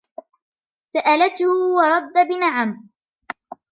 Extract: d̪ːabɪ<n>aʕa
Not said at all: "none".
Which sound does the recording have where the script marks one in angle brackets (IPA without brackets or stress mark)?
n